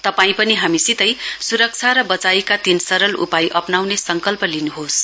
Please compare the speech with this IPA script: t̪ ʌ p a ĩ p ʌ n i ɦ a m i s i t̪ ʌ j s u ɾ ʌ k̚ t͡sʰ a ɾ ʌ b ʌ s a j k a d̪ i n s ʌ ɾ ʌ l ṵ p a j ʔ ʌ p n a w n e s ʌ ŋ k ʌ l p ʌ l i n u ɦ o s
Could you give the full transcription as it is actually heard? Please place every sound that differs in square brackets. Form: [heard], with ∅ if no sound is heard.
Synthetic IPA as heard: t̪ ʌ p a ĩ p ʌ n i ɦ a m i s i t̪ ʌ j s u ɾ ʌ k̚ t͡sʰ a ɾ ʌ b ʌ [t͡s] a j k a [t̪] i n s ʌ ɾ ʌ l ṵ p a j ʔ ʌ p n a w n e s ʌ ŋ k ʌ l p ʌ l i n u ɦ o s

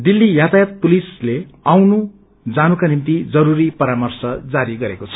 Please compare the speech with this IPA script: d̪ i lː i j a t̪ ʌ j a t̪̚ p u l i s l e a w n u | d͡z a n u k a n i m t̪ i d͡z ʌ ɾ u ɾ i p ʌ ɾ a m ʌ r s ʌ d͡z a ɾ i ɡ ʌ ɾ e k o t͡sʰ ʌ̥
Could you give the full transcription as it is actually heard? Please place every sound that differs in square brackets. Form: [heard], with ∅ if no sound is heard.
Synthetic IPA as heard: d̪ i lː i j a t̪ [a] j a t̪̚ p u l i s l e a w n u | d͡z a n u k a n i m t̪ i d͡z ʌ ɾ u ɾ i p ʌ ɾ a m ʌ r s ʌ d͡z a ɾ i ɡ ʌ ɾ e k o t͡sʰ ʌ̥

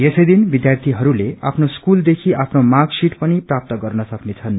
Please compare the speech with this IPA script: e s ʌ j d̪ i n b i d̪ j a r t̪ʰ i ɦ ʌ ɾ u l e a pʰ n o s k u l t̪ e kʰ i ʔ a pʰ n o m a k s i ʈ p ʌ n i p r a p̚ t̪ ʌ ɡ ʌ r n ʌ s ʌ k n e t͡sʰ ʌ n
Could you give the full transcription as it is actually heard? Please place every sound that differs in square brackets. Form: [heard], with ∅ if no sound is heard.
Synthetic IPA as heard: e s ʌ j d̪ i n b i d̪ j a r t̪ʰ i ɦ ʌ ɾ u l e a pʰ n o s k u l [d̪] e kʰ i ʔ a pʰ n o m a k s i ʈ p ʌ n i p r a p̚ t̪ ʌ ɡ ʌ r n ʌ s ʌ k n e t͡sʰ ʌ n

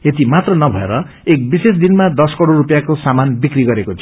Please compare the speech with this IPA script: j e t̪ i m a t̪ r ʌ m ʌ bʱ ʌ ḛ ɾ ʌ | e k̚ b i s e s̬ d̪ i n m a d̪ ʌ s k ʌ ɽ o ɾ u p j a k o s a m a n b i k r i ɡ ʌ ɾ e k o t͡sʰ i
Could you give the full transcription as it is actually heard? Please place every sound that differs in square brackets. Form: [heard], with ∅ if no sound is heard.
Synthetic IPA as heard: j e t̪ i m a t̪ r ʌ [n] ʌ bʱ ʌ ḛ ɾ ʌ | e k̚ b i s e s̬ d̪ i n m a d̪ ʌ s k ʌ ɽ o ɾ u p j a k o s a m a n b i k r i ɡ ʌ ɾ e k o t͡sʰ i

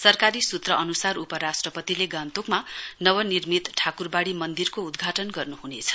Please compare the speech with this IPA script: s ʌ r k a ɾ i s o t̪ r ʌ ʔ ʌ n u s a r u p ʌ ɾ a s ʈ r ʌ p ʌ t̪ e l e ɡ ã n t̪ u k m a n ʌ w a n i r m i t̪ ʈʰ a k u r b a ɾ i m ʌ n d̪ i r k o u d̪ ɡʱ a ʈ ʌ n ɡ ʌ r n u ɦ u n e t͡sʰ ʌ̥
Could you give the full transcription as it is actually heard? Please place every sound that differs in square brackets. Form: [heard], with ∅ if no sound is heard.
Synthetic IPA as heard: s ʌ r k a ɾ i s [u] t̪ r ʌ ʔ ʌ n u s a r u p ʌ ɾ a s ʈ r ʌ p ʌ t̪ [i] l e ɡ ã n t̪ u k m a n ʌ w [ʌ] n i r m i t̪ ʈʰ a k u r b a [ɽ] i m ʌ n d̪ i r k o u d̪ ɡʱ a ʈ ʌ n ɡ ʌ r n u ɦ u n e t͡sʰ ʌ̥

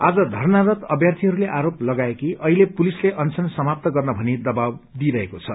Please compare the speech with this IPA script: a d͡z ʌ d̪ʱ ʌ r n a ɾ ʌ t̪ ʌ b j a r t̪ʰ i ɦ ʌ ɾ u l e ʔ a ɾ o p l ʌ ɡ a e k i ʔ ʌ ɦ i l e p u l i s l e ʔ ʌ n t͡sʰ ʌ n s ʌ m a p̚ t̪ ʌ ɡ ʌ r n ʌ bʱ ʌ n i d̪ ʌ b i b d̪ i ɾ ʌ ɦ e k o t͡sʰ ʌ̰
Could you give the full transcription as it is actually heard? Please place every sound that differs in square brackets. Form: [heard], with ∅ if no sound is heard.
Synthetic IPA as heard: a d͡z ʌ d̪ʱ ʌ r n a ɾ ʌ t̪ ʌ b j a r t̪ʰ i ɦ ʌ ɾ u l e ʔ a ɾ o p l ʌ ɡ a e k i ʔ ʌ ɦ i l e p u l i s l e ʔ ʌ n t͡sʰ ʌ n s ʌ m a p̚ t̪ ʌ ɡ ʌ r n ʌ bʱ ʌ n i d̪ ʌ b [a] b d̪ i ɾ ʌ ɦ e k o t͡sʰ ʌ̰

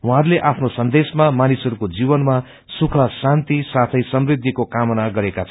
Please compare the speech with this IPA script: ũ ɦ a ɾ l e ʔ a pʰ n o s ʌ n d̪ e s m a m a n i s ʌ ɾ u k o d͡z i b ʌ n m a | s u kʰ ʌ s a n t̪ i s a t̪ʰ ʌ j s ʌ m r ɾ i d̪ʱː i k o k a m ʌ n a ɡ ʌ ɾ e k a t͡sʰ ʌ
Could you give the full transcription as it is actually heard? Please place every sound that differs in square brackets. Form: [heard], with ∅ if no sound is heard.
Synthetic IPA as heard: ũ ɦ a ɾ l e ʔ a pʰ n o s ʌ n d̪ e s m a m a n i s ʌ ɾ u k o d͡z i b ʌ n m a | s u kʰ ʌ s a n t̪ i s a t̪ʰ ʌ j s ʌ m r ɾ i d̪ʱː i k o k a m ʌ n a ɡ ʌ ɾ e k a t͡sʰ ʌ

